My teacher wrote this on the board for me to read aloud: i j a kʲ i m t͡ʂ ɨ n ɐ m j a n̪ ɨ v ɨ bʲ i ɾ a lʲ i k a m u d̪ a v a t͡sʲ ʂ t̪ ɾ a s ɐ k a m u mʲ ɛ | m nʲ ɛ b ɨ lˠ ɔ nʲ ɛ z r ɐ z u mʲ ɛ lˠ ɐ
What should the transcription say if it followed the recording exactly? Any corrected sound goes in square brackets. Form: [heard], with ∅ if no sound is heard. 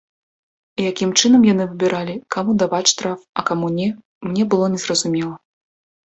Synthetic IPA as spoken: i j a kʲ i m t͡ʂ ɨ n ɐ m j a n̪ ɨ v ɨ bʲ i ɾ a lʲ i k a m u d̪ a v a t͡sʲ ʂ t̪ ɾ a [f] ɐ k a m u [nʲ] ɛ | m nʲ ɛ b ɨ lˠ ɔ nʲ ɛ z r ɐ z u mʲ ɛ lˠ ɐ